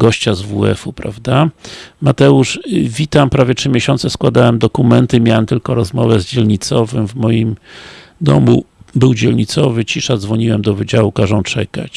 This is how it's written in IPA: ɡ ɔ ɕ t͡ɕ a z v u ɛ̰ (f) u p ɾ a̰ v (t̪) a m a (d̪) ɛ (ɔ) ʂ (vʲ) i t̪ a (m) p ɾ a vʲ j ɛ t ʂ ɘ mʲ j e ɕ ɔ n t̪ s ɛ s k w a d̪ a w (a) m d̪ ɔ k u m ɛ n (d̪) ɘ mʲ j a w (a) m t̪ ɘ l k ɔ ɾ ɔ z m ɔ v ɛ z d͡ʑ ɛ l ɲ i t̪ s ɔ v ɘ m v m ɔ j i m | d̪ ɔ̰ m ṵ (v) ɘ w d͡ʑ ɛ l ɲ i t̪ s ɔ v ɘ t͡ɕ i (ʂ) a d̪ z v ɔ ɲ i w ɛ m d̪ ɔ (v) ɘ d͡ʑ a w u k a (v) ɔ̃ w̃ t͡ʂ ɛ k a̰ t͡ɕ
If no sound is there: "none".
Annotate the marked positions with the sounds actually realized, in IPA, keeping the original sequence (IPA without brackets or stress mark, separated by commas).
f, d̪, t̪, u, vʲ, m, ɛ, t̪, ɛ, b, ʂ, v, ʐ